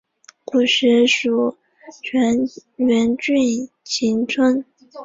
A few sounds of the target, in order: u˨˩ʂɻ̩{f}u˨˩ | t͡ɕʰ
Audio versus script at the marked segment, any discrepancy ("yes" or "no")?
yes